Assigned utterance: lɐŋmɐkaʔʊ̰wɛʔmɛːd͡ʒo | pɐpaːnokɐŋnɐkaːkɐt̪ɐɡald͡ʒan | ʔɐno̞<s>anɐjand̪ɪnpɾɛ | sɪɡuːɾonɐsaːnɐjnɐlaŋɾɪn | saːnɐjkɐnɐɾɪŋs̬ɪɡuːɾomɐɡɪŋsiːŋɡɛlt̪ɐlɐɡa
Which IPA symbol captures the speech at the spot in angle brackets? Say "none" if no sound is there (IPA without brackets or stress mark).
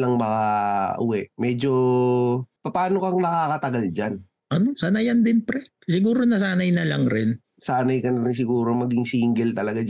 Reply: s